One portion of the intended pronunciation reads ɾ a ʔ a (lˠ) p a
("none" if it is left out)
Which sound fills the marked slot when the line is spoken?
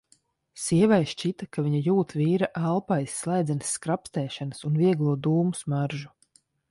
lˠ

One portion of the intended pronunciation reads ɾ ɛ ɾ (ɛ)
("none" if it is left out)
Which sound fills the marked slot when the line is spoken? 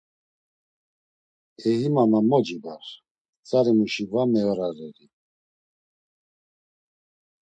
i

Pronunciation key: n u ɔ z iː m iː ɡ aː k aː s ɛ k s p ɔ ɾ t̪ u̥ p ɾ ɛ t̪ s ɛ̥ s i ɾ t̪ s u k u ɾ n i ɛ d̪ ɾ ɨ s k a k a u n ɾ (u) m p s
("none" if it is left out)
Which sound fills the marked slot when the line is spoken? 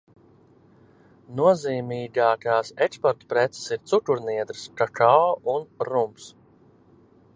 u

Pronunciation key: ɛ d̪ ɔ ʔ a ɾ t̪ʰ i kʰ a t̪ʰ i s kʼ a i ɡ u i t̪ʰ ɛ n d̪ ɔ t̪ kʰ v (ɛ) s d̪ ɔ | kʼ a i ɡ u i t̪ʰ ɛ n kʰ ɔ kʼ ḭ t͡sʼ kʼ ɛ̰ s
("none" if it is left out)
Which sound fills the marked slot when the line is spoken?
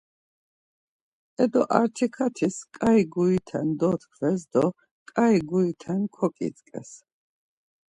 ɛ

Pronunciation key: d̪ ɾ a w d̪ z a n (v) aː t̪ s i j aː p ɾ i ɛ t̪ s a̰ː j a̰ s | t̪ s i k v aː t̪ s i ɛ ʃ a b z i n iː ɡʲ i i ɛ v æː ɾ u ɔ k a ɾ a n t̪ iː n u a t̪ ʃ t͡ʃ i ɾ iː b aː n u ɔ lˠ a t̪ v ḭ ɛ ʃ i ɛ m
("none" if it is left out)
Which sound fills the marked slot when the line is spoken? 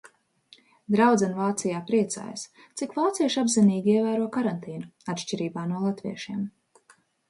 v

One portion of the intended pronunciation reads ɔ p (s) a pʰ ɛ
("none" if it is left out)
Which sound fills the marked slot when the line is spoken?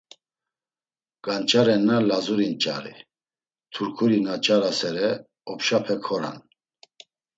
ʃ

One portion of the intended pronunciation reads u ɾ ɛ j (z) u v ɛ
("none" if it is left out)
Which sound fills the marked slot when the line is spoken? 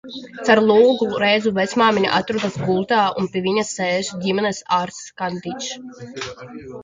z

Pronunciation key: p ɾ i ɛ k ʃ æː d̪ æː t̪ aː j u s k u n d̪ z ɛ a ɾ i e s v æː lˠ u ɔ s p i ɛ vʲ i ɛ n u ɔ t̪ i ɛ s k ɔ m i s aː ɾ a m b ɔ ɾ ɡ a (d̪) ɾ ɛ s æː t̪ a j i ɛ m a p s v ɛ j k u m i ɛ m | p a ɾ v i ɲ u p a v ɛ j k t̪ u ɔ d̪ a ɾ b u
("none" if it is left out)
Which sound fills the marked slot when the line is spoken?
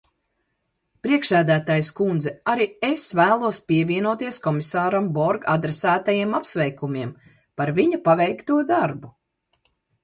d̪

